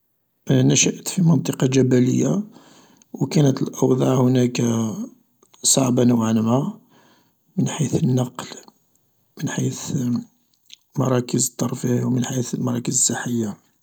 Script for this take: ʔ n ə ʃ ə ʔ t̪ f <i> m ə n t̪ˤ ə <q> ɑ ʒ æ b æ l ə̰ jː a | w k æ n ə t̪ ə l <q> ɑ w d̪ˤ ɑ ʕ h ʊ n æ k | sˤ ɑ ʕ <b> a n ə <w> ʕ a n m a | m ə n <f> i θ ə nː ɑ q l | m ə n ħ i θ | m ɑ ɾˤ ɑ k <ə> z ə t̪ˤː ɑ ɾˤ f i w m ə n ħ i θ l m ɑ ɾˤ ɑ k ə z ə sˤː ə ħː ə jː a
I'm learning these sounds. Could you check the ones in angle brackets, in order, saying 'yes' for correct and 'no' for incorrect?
yes, yes, no, yes, yes, no, yes

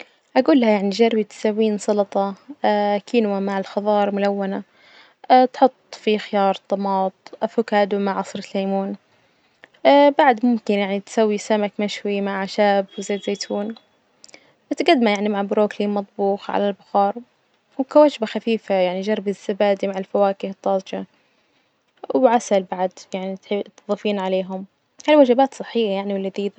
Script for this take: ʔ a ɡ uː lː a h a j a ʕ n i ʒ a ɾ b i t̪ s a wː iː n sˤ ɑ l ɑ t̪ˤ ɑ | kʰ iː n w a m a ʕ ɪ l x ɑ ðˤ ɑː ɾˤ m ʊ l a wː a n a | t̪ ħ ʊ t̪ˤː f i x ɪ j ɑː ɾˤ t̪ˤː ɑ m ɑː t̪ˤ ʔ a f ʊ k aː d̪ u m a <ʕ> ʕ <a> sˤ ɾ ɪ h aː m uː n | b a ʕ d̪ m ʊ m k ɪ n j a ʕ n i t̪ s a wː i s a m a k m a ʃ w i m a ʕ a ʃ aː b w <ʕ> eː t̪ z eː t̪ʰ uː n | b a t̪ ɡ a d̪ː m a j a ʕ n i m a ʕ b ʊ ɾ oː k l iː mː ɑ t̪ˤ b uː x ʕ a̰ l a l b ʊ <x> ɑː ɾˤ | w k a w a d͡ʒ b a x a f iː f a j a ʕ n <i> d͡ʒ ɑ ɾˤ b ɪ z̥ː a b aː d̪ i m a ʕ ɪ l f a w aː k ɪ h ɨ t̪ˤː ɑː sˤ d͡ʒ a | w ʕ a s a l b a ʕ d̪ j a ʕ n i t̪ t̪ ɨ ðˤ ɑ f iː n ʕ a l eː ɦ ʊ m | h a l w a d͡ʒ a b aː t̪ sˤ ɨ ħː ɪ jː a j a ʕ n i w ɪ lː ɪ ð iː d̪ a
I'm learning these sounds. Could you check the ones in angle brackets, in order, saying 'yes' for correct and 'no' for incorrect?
yes, no, no, yes, yes

